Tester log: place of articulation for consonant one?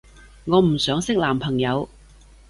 velar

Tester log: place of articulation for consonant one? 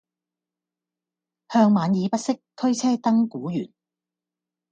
glottal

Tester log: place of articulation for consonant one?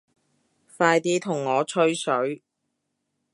labial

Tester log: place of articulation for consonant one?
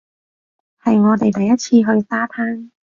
glottal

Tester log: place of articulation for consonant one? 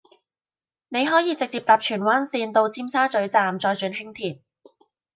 alveolar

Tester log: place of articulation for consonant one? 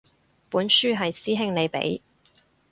labial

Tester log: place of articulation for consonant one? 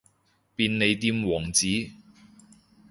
labial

